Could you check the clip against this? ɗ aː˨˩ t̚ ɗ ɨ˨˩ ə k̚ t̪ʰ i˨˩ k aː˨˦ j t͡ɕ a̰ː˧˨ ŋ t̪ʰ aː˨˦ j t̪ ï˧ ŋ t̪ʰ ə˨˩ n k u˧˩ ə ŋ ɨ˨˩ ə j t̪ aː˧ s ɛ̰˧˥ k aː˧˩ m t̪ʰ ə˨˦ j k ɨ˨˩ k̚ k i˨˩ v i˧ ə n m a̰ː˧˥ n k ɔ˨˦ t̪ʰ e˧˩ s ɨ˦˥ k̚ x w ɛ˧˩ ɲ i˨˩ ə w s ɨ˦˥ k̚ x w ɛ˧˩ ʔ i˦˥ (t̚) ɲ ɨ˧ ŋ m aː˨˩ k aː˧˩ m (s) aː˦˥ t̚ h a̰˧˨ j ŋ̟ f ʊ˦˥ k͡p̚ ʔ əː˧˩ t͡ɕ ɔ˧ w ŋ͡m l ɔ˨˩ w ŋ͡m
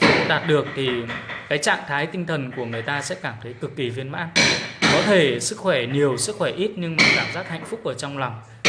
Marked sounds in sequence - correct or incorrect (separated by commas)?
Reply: correct, incorrect